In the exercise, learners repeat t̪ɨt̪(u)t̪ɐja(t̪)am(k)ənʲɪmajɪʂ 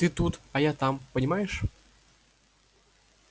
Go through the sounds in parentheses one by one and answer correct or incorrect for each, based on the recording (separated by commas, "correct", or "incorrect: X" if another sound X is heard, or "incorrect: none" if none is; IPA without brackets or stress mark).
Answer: correct, correct, incorrect: p